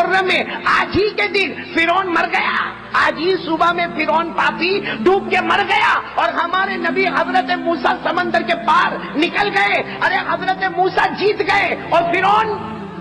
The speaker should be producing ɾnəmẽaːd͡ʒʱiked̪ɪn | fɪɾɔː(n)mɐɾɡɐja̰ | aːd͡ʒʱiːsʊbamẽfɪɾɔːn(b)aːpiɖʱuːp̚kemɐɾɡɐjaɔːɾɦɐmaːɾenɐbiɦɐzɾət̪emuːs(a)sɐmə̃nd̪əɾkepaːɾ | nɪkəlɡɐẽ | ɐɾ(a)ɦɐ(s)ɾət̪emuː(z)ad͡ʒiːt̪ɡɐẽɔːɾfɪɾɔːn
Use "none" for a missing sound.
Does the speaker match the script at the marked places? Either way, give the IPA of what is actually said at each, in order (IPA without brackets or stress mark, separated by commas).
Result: n, p, a, e, z, s